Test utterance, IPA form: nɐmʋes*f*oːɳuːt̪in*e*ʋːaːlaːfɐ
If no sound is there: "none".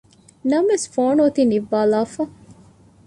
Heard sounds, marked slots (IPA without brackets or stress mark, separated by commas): f, i